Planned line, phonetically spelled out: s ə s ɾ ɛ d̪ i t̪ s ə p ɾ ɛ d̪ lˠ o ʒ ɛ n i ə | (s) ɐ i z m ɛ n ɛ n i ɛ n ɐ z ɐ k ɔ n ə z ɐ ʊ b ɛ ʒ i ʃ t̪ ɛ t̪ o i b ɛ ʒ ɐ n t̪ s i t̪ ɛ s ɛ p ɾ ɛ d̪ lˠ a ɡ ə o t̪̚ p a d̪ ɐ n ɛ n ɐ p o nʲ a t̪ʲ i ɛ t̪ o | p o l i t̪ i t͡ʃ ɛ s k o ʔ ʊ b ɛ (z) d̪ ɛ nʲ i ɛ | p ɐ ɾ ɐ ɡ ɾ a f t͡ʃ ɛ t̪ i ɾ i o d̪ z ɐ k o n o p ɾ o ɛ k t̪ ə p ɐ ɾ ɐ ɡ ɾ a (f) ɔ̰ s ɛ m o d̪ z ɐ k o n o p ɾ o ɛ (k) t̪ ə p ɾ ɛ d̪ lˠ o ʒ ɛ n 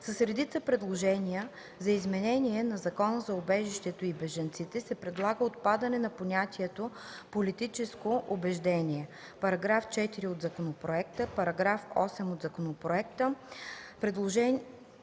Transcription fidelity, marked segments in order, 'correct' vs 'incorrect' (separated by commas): incorrect, incorrect, correct, correct